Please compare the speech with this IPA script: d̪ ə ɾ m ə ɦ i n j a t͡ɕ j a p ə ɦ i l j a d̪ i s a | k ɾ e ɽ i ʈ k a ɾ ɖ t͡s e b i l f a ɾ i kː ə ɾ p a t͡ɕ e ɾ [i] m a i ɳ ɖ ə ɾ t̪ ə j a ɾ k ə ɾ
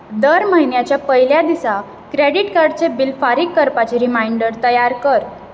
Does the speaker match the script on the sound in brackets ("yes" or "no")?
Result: yes